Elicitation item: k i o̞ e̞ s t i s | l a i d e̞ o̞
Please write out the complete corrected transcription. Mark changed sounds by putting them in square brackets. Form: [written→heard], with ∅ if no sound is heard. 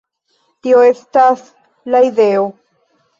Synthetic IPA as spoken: [k→t] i o̞ e̞ s t [i→a] s | l a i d e̞ o̞